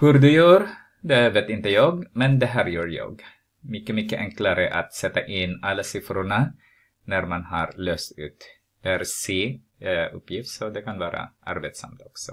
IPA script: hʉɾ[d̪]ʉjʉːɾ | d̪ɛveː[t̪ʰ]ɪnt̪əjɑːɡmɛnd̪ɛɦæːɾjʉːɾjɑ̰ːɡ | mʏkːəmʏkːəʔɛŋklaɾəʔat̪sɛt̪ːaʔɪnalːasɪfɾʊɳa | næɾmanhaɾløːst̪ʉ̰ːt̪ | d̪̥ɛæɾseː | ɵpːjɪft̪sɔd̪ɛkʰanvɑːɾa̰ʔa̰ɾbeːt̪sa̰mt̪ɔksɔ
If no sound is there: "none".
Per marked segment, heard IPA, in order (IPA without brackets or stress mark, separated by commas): d̪, t̪